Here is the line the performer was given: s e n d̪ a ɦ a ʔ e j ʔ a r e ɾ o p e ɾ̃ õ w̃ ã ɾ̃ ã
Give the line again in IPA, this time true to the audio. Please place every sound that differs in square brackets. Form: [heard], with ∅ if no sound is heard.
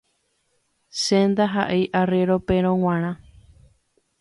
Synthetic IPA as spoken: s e n d̪ a ɦ a ʔ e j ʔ a r e ɾ o p e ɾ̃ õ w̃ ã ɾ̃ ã